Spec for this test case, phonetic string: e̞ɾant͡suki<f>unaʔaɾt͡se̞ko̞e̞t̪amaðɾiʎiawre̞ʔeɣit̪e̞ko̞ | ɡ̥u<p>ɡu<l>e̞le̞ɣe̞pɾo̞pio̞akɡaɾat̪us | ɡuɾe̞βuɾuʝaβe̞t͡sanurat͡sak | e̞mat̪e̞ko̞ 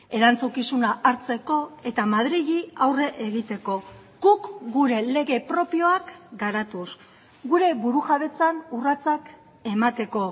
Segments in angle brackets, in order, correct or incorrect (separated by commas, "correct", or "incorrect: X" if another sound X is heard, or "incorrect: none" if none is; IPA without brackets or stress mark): incorrect: s, incorrect: k, incorrect: ɾ